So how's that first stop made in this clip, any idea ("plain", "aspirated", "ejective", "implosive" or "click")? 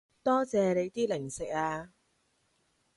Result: plain